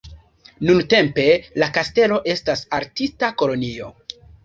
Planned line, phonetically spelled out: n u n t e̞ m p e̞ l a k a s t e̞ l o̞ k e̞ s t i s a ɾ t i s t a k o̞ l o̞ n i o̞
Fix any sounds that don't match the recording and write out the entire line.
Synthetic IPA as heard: n u n t e̞ m p e̞ l a k a s t e̞ l o̞ ʔ e̞ s t a s a ɾ t i s t a k o̞ l o̞ n i o̞